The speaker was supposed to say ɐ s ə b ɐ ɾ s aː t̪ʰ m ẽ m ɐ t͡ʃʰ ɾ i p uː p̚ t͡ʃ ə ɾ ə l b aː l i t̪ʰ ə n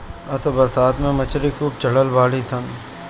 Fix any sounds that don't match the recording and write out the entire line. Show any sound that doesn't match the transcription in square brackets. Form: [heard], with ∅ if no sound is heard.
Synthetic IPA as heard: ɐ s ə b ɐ ɾ s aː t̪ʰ m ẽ m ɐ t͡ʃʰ ɾ i [k] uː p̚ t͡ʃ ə [ɽ] ə l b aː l i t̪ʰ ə n